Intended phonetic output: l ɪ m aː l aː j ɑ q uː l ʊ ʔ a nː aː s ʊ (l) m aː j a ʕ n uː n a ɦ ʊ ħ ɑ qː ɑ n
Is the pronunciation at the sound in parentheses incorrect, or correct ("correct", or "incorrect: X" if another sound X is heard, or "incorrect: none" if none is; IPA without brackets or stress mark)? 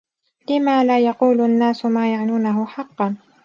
incorrect: none